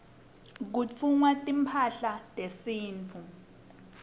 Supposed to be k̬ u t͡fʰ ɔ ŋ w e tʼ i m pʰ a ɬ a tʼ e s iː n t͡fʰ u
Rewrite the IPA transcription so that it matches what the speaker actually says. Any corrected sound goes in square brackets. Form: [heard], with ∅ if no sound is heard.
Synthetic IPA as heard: k̬ u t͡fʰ [u] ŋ w [a] tʼ i m pʰ a ɬ a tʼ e s iː n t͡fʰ u